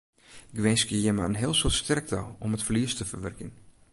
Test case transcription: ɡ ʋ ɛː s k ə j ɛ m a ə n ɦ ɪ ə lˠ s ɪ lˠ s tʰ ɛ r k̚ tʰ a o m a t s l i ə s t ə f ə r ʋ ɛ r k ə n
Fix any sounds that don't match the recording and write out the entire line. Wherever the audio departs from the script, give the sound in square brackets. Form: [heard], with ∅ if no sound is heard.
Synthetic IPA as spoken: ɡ ʋ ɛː s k ə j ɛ m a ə n ɦ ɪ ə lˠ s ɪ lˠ s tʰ ɛ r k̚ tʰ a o m [ə] t [f] l i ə s t ə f ə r ʋ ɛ r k ə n